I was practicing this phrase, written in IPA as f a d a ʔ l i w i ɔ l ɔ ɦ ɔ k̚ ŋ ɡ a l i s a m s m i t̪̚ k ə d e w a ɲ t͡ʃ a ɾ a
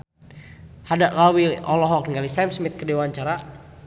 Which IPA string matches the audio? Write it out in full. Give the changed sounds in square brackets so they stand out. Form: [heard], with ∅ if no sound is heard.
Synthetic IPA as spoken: [h] a d a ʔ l [a] w i ɔ l ɔ ɦ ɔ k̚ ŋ ɡ a l i s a m s m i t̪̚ k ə d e w a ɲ t͡ʃ a ɾ a

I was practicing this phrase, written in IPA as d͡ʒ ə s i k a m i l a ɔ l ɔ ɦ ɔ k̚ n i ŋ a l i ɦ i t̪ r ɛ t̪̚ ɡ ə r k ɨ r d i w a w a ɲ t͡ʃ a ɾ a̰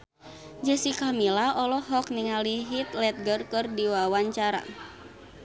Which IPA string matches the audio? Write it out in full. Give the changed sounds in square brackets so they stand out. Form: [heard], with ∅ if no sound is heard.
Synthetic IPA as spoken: d͡ʒ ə s i k a m i l a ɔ l ɔ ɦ ɔ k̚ n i ŋ a l i ɦ i t̪ [l] ɛ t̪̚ ɡ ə r k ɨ r d i w a w a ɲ t͡ʃ a ɾ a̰

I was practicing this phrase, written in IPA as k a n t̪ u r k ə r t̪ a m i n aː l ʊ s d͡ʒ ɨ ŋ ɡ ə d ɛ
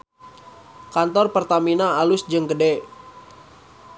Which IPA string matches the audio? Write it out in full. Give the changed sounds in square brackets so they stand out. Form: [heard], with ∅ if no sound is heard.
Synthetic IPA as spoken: k a n t̪ [ɔ] r [p] ə r t̪ a m i n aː l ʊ s d͡ʒ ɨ ŋ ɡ ə d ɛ

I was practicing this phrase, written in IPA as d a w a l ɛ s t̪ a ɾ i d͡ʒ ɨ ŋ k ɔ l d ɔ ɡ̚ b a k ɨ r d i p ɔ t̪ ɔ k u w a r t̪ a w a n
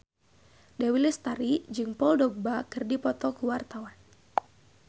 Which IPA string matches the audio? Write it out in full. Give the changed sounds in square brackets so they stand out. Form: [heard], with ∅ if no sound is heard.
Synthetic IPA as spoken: d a w [i] l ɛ s t̪ a ɾ i d͡ʒ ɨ ŋ [p] ɔ l d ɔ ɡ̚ b a k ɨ r d i p ɔ t̪ ɔ k u w a r t̪ a w a n

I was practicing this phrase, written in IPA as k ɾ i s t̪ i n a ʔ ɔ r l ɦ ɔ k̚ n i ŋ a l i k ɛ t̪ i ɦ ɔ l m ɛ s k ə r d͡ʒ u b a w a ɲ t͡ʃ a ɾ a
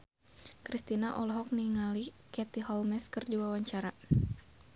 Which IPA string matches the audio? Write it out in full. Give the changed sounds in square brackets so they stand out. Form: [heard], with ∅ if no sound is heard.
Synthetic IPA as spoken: k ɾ i s t̪ i n a ʔ ɔ [∅] l ɦ ɔ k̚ n i ŋ a l i k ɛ t̪ i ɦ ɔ l m ɛ s k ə r d͡ʒ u [w] a w a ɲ t͡ʃ a ɾ a

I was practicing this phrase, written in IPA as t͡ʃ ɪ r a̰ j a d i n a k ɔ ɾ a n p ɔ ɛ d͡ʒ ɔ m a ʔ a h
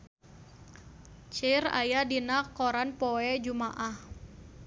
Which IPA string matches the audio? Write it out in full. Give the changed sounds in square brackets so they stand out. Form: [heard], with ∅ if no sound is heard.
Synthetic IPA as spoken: t͡ʃ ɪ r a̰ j a d i n a k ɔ ɾ a n p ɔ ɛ d͡ʒ [u] m a ʔ a h

